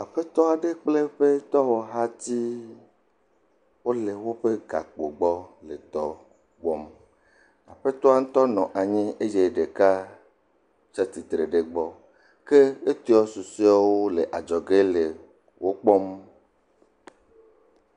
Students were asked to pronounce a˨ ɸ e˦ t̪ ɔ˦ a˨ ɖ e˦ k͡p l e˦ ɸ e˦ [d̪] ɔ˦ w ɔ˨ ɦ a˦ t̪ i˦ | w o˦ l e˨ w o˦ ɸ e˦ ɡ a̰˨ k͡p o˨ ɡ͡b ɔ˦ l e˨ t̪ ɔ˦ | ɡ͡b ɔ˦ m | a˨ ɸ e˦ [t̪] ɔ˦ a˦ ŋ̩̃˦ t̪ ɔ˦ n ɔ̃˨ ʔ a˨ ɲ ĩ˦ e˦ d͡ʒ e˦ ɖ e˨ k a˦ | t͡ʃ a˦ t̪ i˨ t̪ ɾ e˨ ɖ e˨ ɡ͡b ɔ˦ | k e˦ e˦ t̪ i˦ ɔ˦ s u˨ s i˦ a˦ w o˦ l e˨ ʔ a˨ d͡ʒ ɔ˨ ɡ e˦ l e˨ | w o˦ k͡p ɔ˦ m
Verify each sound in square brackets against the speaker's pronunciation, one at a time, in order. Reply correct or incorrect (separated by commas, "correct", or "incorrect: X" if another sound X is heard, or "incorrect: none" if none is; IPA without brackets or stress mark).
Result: incorrect: t̪, correct